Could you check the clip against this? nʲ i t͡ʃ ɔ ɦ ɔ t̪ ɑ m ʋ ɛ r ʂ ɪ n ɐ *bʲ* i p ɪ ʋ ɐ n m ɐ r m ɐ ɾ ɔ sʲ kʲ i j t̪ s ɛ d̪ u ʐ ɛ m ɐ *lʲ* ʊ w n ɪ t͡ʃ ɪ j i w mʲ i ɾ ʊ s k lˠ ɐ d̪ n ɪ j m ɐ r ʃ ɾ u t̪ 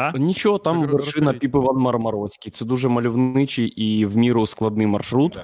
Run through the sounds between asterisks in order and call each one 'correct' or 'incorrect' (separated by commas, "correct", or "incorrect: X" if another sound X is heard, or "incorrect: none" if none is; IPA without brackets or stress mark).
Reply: incorrect: pʲ, correct